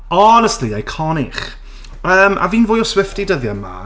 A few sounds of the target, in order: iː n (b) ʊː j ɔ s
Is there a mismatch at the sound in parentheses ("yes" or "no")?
yes